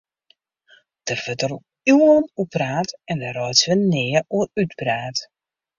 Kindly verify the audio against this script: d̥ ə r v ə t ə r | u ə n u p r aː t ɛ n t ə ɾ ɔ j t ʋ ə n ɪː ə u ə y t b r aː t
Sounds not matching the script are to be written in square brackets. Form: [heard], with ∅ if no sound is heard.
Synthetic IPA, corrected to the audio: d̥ ə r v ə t ə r | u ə n u p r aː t ɛ n [d] ə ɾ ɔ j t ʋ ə n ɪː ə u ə y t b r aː t